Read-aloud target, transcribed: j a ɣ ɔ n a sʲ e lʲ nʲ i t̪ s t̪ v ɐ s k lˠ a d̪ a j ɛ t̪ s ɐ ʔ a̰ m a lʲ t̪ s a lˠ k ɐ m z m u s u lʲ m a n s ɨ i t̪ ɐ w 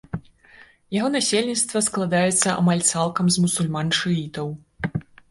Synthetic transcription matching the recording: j a ɣ ɔ n a sʲ e lʲ nʲ i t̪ s t̪ v ɐ s k lˠ a d̪ a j ɛ t̪ sː ɐ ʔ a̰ m a lʲ t̪ s a lˠ k ɐ m z m u s u lʲ m a n ʂ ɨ i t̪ ɐ w

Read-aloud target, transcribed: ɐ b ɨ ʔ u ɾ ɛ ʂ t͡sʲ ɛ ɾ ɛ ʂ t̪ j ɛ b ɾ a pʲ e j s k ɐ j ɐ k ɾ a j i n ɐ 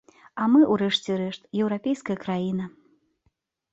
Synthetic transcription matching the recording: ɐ m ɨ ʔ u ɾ ɛ ʂ t͡sʲ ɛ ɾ ɛ ʂ t̪ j ɛ w ɾ a pʲ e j s k ɐ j ɐ k ɾ a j i n ɐ

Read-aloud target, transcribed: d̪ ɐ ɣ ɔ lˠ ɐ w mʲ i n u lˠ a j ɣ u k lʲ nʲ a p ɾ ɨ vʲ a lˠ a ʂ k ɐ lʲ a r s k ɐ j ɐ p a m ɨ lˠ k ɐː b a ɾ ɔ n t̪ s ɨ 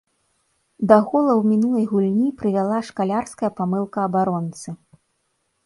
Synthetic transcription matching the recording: d̪ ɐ ɣ ɔ lˠ ɐ w mʲ i n u lˠ ɐ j ɣ u lʲ nʲ i p ɾ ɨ vʲ a lˠ a ʂ k a lʲ a r s k ɐ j ɐ p a m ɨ lˠ k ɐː b a ɾ ɔ n t̪ s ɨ

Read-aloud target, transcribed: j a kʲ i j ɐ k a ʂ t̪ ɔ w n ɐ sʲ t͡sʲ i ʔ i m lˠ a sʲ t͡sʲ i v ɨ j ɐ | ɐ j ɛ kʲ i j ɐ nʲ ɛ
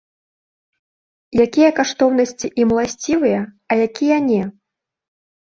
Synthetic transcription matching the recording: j a kʲ i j ɐ k a ʂ t̪ ɔ w n ɐ sʲ t͡sʲ i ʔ i m lˠ a sʲ t͡sʲ i v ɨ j ɐ | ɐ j a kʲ i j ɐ nʲ ɛ

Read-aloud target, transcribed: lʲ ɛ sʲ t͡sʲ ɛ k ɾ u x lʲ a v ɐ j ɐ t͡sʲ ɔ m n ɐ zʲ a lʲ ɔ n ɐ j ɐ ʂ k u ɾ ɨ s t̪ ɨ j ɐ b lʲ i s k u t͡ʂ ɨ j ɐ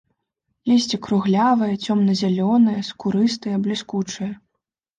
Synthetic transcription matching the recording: lʲ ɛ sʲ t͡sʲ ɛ k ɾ u ɣ lʲ a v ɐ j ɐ t͡sʲ ɔ m n ɐ zʲ a lʲ ɔ n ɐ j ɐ s k u ɾ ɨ s t̪ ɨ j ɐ b lʲ i s k u t͡ʂ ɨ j ɐ

